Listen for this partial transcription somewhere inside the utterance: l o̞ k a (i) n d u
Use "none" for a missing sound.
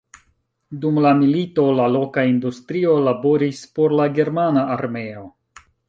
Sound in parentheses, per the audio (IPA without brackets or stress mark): i